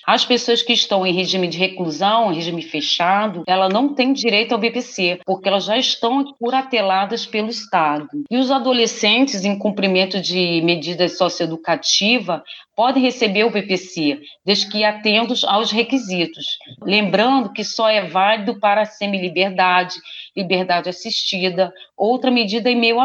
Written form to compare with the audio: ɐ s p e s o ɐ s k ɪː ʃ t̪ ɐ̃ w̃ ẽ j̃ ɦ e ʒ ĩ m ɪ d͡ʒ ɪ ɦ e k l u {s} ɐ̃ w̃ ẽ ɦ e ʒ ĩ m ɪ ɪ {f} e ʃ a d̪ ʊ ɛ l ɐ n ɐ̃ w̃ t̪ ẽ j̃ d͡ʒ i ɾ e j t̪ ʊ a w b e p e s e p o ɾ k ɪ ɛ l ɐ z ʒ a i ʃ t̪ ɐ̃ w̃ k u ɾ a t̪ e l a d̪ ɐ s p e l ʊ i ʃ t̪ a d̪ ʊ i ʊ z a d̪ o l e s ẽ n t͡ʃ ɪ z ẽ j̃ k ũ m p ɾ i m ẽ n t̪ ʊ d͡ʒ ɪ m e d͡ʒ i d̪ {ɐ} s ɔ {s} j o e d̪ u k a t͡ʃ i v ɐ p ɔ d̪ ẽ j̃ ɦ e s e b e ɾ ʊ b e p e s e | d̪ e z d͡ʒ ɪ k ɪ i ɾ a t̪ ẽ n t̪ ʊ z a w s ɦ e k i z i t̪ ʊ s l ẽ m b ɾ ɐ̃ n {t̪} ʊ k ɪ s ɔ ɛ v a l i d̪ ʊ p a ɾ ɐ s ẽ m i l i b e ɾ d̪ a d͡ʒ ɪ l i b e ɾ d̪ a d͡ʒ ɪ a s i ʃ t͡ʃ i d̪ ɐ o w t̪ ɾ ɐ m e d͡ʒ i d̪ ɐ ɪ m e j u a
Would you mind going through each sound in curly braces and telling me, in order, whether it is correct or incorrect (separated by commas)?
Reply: incorrect, correct, correct, correct, incorrect